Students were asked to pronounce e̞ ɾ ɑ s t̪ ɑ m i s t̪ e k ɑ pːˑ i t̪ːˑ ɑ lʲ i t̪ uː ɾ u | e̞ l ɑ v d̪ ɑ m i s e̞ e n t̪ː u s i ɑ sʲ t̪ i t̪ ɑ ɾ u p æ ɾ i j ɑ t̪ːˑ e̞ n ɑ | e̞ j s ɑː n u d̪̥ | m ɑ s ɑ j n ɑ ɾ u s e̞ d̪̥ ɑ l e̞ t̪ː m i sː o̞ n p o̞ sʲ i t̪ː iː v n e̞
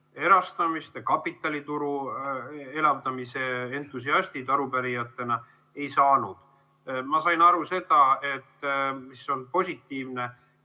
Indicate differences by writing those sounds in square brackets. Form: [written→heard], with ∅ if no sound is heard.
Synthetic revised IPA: e̞ ɾ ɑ s t̪ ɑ m i s t̪ e k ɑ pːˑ i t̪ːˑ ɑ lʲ i t̪ [uː→u] ɾ u | e̞ l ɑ v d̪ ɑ m i s e̞ e n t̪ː u s i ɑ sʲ t̪ i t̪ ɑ ɾ u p æ ɾ i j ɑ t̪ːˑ e̞ n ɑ | e̞ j s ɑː n u d̪̥ | m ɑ s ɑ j n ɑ ɾ u s e̞ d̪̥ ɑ [l→∅] e̞ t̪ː m i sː o̞ n p o̞ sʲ i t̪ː iː v n e̞